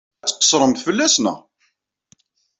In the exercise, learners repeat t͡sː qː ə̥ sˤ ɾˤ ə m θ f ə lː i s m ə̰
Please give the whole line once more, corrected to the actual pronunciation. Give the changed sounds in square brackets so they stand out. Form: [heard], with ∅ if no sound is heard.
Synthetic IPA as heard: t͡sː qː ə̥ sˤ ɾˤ ə m θ f ə lː [æ] s [n] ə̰